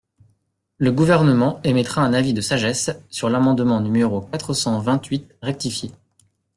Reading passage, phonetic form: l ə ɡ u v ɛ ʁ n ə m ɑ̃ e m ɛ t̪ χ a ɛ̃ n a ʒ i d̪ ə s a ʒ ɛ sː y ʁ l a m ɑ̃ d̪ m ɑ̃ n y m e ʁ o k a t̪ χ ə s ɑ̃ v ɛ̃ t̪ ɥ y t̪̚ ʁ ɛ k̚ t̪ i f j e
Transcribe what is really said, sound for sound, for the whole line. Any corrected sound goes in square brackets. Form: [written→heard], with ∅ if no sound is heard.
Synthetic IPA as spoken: l ə ɡ u v ɛ ʁ n ə m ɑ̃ e m ɛ t̪ χ a ɛ̃ n a [ʒ→v] i d̪ ə s a ʒ ɛ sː y ʁ l a m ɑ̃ d̪ m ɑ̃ n y m e ʁ o k a t̪ χ ə s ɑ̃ v ɛ̃ t̪ ɥ [y→i] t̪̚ ʁ ɛ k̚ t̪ i f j e